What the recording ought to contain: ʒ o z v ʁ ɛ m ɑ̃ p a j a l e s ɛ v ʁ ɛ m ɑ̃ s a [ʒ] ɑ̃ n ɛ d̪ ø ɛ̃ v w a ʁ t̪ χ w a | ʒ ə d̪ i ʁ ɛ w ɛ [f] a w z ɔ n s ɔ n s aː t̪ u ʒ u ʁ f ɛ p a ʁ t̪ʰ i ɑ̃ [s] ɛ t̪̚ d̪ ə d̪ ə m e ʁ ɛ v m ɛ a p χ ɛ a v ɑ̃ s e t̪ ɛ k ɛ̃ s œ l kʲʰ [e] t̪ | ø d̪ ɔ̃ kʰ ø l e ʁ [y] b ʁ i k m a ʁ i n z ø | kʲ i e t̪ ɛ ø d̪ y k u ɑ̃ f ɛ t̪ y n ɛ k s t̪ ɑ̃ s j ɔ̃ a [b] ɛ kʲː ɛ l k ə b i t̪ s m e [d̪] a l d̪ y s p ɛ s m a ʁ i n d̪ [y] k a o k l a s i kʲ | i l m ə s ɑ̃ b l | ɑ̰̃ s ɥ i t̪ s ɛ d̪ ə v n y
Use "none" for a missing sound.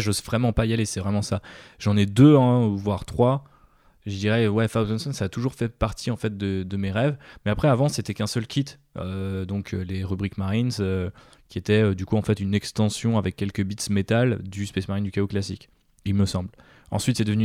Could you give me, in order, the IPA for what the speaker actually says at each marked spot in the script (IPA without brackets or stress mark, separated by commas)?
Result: ʒ, f, f, i, y, v, t̪, y